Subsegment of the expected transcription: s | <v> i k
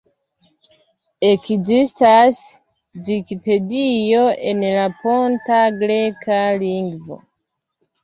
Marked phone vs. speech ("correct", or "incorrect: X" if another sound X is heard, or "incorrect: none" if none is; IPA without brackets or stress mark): correct